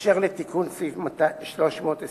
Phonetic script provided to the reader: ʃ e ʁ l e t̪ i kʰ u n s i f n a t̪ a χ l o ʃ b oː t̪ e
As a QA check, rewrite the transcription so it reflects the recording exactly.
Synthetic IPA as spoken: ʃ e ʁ l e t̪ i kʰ u n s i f m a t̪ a ʃ l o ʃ m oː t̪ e